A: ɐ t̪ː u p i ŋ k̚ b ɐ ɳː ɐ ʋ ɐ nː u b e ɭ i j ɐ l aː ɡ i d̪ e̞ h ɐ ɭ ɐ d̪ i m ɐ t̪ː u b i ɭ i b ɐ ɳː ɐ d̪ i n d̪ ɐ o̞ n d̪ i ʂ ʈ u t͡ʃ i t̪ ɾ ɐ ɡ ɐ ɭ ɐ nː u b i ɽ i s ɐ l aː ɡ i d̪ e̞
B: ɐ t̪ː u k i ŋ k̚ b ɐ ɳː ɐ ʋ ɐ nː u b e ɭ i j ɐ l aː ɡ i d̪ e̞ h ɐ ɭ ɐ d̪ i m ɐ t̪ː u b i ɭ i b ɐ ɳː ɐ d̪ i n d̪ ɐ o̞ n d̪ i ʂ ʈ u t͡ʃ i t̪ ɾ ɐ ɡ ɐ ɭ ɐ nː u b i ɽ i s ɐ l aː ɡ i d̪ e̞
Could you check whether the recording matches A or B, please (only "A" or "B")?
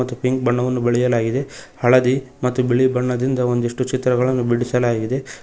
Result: A